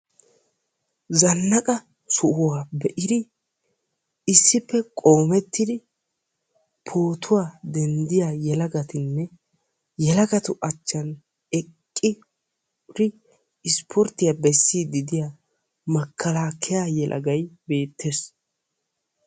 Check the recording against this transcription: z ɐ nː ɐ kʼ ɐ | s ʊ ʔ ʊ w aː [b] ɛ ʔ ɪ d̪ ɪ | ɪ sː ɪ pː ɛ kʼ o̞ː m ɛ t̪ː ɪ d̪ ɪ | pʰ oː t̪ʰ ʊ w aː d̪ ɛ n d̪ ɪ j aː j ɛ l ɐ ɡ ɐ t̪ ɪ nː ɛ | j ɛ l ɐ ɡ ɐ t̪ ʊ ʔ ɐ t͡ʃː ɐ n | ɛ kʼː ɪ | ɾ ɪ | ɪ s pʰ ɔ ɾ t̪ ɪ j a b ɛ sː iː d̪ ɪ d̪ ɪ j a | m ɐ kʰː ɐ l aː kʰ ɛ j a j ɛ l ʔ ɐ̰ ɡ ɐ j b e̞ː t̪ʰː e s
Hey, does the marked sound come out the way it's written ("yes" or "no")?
yes